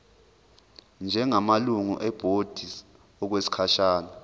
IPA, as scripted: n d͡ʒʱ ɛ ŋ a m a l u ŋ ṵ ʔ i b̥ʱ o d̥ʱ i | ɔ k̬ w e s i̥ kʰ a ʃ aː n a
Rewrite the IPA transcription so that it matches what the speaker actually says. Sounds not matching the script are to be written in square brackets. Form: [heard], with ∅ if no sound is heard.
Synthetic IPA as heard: n d͡ʒʱ ɛ ŋ a m a l u ŋ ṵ ʔ [ɛ] b̥ʱ o d̥ʱ i | ɔ k̬ w e s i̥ kʰ a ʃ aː n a